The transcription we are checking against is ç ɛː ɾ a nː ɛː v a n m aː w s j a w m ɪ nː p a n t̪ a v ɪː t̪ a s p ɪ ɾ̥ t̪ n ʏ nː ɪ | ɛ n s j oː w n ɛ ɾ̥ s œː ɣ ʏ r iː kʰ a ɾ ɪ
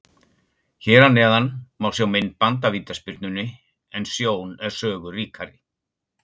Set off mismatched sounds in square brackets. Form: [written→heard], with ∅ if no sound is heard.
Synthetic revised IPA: ç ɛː ɾ a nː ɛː [v→ð] a n m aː w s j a w m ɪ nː p a n t̪ a v [ɪː→iː] t̪ a s p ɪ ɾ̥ t̪ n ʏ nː ɪ | ɛ n s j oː w n ɛ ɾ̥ s œː ɣ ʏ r iː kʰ a ɾ ɪ